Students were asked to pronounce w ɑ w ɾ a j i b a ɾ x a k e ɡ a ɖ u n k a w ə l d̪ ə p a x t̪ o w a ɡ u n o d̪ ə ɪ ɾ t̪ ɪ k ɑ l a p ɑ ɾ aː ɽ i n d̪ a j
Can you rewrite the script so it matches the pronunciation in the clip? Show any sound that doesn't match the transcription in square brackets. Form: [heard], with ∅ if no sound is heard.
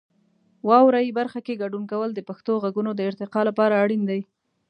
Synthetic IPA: w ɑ w ɾ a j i b a ɾ x a k e ɡ a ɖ u n k a w ə l d̪ ə p a x t̪ o [ɣ] a ɡ u n o d̪ ə ɪ ɾ t̪ ɪ [q] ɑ l a p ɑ ɾ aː ɽ i n d̪ a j